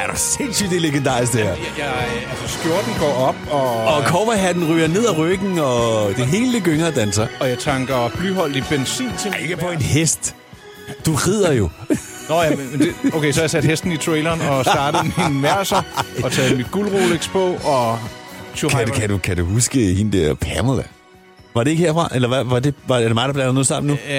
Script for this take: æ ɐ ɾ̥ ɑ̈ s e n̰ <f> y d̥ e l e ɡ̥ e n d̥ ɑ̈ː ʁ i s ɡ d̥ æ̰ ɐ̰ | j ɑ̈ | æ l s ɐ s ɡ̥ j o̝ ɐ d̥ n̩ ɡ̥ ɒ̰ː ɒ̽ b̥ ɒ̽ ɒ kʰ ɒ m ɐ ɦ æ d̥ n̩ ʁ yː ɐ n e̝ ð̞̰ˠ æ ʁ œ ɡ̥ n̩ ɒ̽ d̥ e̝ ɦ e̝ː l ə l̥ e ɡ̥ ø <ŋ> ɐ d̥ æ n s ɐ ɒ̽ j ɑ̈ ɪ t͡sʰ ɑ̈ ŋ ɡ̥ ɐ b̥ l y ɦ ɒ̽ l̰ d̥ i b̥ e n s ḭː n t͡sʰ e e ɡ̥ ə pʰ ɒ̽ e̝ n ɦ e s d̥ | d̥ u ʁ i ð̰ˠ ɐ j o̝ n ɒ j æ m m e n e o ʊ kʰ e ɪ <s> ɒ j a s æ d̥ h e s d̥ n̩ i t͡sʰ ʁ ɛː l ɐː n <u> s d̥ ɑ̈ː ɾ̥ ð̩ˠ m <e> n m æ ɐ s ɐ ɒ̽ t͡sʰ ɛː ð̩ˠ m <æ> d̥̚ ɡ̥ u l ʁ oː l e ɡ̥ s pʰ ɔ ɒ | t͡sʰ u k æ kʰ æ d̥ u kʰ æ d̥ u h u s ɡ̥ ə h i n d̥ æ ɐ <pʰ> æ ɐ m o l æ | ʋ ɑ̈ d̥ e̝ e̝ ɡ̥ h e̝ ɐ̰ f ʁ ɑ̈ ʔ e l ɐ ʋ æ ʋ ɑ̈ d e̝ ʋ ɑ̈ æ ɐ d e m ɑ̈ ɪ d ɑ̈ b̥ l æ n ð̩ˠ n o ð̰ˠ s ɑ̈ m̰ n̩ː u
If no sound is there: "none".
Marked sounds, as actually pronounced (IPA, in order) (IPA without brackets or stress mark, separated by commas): s, ŋ, s, ɒ, i, i, pʰ